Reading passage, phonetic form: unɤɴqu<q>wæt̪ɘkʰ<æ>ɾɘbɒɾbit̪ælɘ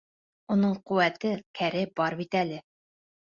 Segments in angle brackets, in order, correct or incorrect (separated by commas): incorrect, correct